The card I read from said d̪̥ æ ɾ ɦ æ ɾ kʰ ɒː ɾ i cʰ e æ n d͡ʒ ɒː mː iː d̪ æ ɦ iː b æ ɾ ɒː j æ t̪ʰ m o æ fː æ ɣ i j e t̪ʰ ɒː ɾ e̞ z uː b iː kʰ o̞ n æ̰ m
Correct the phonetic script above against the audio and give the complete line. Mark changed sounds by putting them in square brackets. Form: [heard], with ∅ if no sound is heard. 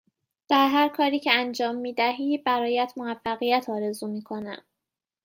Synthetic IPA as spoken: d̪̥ æ ɾ ɦ æ ɾ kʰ ɒː ɾ [iː] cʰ e æ n d͡ʒ ɒː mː iː d̪ æ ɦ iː b æ ɾ ɒː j æ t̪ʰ m o æ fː æ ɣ i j [æ] t̪ʰ ɒː ɾ e̞ z uː [m] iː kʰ o̞ n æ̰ m